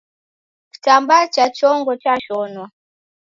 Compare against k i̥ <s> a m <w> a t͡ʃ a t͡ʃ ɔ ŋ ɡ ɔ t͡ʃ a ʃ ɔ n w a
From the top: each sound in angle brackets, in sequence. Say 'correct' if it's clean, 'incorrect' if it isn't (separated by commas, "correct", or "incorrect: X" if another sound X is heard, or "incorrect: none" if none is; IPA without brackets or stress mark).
incorrect: t, incorrect: b